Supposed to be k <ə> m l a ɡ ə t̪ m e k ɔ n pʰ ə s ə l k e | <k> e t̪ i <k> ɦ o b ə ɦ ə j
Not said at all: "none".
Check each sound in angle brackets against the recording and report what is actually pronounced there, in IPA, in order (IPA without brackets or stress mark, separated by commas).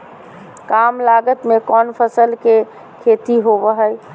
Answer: a, kʰ, none